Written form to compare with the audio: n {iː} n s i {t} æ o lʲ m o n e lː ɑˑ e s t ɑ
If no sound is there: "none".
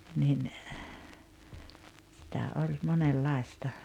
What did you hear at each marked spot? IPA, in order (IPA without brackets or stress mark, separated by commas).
i, t